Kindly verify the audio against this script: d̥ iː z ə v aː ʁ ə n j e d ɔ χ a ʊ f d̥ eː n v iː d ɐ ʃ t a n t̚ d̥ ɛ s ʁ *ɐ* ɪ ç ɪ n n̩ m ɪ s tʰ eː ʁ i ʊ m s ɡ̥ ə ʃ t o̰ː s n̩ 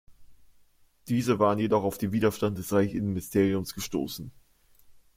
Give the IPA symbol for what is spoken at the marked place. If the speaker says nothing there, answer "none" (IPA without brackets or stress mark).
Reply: a